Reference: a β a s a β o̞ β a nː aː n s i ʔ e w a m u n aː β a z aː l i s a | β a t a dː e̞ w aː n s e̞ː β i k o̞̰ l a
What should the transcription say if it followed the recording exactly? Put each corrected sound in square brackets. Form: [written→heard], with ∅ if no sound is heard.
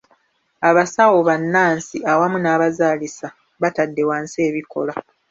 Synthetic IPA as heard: a β a s a [β→w] o̞ β a nː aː n s i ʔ [e→a] w a m u n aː β a z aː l i s a | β a t a dː e̞ w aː n s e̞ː β i k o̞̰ l a